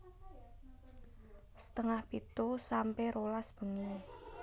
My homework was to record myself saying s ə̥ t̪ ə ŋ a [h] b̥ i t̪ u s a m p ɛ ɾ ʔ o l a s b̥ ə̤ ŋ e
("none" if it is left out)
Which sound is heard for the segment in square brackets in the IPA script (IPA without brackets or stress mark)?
h